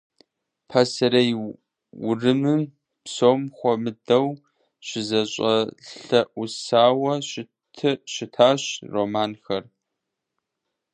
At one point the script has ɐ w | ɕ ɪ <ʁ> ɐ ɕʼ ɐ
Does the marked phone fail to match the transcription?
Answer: yes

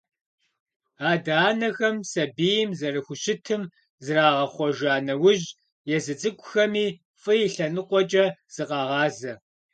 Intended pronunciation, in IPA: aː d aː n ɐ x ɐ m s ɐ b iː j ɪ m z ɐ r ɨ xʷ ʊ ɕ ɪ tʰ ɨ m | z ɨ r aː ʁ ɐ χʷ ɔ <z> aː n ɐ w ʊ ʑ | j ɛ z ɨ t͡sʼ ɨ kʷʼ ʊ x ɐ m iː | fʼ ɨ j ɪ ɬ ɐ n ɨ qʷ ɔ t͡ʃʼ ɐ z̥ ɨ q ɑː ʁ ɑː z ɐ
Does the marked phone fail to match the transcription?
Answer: yes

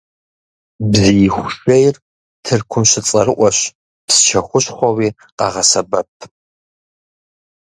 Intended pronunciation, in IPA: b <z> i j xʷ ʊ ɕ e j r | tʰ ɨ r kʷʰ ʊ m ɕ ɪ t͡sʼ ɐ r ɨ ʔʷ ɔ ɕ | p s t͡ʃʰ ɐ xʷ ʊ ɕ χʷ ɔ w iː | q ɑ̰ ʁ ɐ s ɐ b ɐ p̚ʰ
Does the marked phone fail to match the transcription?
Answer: no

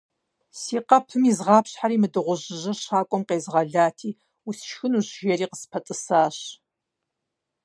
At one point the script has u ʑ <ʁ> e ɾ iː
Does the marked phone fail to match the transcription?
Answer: yes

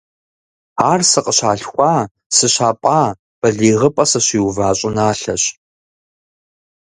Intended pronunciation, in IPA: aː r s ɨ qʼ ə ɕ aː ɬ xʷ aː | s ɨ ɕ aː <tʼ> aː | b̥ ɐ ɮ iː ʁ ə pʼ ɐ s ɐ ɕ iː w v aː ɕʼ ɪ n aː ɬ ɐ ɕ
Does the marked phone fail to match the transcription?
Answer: yes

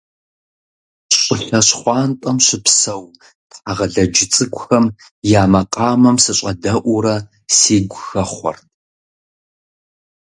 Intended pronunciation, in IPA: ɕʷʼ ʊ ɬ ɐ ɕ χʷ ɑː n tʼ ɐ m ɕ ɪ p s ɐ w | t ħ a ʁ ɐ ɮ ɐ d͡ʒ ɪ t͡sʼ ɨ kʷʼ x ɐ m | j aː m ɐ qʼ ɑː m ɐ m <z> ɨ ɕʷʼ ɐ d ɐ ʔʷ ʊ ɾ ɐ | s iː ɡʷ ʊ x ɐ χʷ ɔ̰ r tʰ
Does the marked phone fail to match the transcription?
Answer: yes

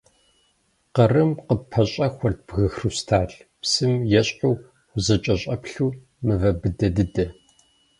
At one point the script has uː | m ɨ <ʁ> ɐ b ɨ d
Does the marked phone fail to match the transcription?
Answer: yes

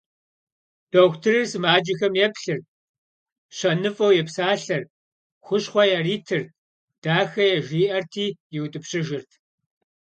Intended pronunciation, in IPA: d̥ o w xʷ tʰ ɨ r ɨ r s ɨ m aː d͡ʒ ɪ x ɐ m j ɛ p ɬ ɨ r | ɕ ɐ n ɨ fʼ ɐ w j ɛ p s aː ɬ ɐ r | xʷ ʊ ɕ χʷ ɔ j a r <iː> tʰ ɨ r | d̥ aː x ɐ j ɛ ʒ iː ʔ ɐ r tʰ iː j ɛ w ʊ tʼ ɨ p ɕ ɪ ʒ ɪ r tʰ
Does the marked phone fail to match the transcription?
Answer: no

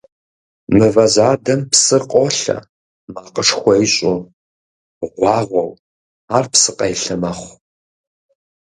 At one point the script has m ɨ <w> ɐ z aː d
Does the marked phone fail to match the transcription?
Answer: yes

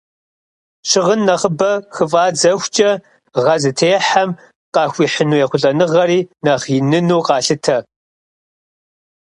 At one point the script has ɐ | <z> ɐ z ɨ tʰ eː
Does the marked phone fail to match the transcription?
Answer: yes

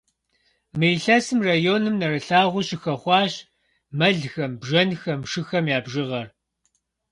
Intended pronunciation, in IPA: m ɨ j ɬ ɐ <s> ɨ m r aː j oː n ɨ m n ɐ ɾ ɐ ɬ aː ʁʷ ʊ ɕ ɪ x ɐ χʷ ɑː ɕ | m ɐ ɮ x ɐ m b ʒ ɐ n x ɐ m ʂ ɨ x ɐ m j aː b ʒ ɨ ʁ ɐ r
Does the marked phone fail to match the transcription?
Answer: no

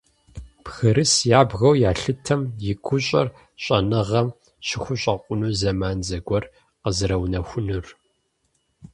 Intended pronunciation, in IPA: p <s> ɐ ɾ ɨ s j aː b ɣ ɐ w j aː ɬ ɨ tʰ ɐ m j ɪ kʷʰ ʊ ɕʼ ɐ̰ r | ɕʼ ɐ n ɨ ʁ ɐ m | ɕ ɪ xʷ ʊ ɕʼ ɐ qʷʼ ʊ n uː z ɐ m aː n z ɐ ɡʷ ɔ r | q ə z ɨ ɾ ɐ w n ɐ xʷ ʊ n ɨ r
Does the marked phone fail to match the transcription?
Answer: yes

